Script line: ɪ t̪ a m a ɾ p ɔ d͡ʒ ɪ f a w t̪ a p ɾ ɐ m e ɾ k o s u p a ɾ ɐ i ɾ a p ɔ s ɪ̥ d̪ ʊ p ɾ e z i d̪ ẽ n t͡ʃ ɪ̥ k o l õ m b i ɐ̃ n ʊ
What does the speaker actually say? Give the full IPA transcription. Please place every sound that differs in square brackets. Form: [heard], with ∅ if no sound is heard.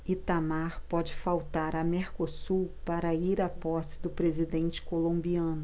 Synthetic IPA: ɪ t̪ a m a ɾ p ɔ d͡ʒ ɪ f a w t̪ a [∅] ɾ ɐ m e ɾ k o s u p a ɾ ɐ i ɾ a p ɔ s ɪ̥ d̪ ʊ p ɾ e z i d̪ ẽ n t͡ʃ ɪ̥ k o l õ m b i ɐ̃ n ʊ